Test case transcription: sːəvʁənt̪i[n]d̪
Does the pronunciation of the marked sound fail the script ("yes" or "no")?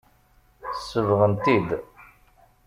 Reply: yes